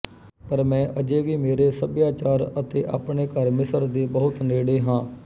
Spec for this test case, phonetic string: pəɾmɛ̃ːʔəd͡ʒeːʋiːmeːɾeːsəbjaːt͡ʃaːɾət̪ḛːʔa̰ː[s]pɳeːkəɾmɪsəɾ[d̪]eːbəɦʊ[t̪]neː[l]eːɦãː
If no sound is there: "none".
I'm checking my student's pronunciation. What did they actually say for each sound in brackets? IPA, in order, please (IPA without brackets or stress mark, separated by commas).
none, d̪, t̪, ɽ